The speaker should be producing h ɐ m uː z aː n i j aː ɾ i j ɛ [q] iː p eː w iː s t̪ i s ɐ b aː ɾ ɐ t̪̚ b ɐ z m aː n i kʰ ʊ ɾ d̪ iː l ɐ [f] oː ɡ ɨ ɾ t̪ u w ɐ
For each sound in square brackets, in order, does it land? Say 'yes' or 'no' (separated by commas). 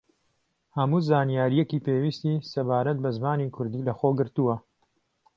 no, no